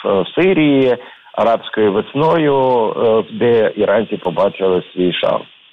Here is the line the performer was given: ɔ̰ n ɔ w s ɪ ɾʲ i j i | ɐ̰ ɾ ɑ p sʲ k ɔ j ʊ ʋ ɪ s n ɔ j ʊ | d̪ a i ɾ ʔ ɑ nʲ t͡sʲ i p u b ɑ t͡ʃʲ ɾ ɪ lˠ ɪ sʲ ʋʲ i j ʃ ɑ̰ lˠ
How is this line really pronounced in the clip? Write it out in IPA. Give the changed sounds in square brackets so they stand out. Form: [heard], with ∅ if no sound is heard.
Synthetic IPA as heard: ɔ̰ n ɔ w s ɪ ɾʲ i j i | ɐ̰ ɾ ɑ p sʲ k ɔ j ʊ ʋ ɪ s n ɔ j ʊ | d̪ [ɛ] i ɾ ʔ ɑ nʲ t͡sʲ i p [ɔ] b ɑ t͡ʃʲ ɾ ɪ lˠ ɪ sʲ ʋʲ i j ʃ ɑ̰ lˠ